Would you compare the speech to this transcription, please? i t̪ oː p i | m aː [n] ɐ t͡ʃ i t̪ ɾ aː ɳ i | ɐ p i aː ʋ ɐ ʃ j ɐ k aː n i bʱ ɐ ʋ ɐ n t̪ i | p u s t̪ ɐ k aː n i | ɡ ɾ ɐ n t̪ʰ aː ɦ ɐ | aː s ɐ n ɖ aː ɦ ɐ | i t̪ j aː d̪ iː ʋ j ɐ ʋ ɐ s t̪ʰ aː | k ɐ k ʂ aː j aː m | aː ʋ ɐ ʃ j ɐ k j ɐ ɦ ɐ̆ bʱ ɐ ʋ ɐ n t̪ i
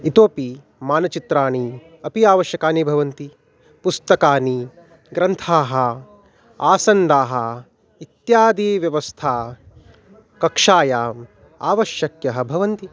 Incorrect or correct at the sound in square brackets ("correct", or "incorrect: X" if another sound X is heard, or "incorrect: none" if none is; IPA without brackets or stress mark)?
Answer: correct